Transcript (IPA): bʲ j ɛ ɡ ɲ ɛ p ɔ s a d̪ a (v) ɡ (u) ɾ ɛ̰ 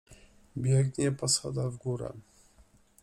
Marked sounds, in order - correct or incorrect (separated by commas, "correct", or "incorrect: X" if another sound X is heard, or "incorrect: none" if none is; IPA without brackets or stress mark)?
correct, correct